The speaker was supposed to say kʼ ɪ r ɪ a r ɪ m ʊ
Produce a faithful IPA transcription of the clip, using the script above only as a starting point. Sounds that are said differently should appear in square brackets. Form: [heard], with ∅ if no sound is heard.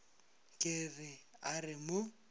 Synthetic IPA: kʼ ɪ r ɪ a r ɪ m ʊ